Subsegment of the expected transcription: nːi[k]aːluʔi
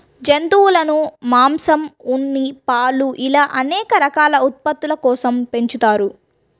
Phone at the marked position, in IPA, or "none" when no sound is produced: p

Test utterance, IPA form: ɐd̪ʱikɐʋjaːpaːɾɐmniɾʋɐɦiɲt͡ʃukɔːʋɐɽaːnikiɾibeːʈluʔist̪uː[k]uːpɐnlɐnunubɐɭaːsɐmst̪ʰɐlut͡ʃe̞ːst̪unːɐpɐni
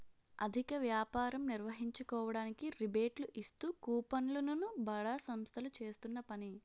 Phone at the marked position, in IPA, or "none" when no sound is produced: k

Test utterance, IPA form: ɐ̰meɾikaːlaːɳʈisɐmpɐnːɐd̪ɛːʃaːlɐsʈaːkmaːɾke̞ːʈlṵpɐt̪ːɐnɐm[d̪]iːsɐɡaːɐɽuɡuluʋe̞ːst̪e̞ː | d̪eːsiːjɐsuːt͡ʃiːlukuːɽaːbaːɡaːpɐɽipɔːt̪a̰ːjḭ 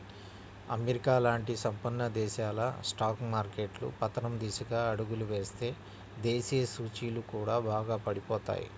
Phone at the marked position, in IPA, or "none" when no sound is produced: d̪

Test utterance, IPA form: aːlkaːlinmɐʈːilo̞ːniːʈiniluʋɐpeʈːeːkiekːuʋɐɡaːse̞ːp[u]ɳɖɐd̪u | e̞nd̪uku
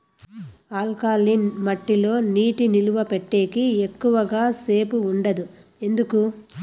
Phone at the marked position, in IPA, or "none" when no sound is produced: uː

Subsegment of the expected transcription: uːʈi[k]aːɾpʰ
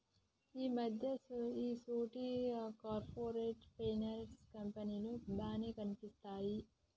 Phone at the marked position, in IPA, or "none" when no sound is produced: k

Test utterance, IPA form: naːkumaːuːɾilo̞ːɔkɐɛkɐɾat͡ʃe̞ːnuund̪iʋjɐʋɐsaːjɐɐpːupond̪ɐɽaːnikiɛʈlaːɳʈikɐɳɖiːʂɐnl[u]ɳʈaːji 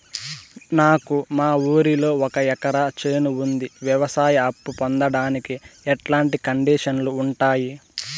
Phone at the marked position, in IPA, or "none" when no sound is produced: uː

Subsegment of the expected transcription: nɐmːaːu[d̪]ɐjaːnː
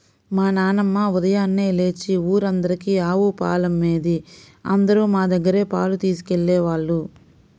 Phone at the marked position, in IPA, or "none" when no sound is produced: d̪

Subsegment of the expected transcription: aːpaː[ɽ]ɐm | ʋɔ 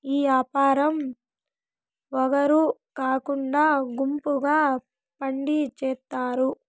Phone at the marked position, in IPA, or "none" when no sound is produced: ɾ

